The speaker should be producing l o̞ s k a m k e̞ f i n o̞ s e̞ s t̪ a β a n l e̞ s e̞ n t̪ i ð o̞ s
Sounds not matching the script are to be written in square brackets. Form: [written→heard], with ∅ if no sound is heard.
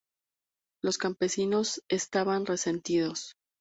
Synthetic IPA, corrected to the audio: l o̞ s k a m [k→p] e̞ [f→s] i n o̞ s e̞ s t̪ a β a n [l→r] e̞ s e̞ n t̪ i ð o̞ s